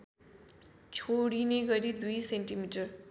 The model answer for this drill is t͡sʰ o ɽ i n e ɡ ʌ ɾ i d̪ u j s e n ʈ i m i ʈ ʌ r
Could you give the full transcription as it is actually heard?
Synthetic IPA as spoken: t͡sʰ o ɽ i n e ɡ ʌ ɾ i d̪ u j s e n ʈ i m i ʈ ʌ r